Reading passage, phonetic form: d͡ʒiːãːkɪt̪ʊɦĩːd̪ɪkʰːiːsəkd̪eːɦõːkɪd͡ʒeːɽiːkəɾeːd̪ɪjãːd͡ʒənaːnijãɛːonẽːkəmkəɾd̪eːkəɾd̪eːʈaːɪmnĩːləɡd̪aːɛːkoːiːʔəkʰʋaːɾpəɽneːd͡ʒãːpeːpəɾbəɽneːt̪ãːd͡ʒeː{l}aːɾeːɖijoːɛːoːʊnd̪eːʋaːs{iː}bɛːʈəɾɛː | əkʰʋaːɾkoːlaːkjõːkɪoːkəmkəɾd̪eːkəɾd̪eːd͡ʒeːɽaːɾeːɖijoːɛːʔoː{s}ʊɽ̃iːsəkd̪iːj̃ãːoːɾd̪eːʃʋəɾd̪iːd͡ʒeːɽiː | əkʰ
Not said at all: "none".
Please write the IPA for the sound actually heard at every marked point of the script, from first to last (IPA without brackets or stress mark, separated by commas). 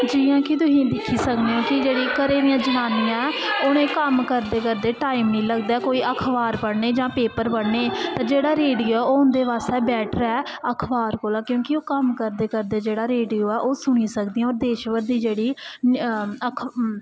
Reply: ɽ, ɛː, s